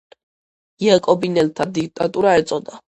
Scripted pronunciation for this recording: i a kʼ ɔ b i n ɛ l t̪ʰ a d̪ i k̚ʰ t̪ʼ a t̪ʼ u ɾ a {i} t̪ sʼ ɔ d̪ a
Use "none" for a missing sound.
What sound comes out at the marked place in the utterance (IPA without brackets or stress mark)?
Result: ɛ